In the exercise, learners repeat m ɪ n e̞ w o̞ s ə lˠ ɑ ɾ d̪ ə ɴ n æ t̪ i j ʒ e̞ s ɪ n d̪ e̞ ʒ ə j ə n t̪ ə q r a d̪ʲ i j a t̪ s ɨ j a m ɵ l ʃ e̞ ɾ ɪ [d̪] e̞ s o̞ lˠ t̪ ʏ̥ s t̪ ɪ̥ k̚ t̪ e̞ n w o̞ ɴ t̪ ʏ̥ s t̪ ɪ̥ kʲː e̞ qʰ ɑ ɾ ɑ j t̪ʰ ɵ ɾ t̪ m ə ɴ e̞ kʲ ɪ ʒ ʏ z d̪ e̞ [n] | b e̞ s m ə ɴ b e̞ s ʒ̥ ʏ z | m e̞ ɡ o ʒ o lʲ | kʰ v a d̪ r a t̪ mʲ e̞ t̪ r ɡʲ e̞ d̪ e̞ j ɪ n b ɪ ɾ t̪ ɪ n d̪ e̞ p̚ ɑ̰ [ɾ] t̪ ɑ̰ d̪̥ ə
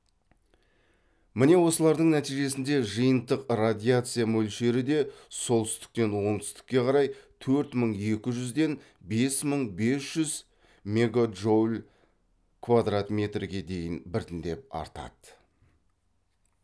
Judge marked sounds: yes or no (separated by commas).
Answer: yes, yes, yes